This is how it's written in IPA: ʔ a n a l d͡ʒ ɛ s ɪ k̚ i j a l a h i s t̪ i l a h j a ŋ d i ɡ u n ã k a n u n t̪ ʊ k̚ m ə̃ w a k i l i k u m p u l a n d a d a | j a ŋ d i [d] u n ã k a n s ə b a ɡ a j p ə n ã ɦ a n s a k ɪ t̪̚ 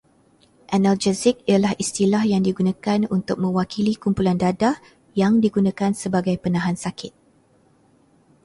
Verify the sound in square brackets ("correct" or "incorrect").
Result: incorrect